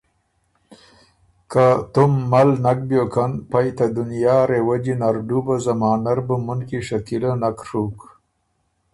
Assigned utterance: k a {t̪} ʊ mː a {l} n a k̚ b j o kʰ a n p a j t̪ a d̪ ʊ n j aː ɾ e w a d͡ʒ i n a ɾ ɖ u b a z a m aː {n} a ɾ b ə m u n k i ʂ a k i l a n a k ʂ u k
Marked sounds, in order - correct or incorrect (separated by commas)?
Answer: correct, correct, correct